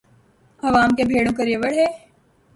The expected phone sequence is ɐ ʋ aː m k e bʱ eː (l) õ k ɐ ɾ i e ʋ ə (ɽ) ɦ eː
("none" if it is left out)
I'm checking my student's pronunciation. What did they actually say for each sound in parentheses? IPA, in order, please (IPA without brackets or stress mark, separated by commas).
ɽ, ɽ